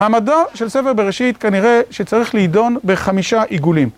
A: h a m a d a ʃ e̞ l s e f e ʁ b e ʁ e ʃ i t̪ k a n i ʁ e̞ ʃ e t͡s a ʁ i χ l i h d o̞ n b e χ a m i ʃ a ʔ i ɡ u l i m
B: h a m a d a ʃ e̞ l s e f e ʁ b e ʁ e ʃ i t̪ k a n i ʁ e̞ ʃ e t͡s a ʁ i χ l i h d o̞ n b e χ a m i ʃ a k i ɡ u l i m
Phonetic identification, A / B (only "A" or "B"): A